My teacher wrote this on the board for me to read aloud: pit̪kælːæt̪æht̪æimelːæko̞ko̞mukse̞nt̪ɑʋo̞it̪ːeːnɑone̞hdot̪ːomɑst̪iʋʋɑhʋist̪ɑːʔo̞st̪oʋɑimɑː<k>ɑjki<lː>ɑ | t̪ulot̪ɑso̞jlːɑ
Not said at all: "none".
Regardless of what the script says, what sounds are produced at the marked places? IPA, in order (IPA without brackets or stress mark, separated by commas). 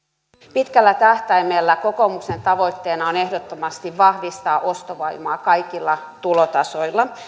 k, lː